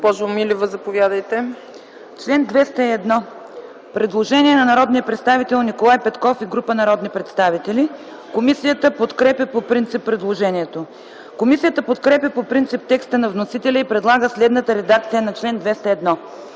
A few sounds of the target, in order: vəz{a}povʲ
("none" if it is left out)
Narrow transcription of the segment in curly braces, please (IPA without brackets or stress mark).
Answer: ɐ